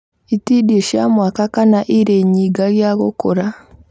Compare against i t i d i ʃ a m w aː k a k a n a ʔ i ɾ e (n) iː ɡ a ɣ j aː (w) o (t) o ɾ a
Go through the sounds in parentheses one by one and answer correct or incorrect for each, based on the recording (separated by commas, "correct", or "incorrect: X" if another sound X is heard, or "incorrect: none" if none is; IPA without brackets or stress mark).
incorrect: ɲ, incorrect: ɣ, incorrect: k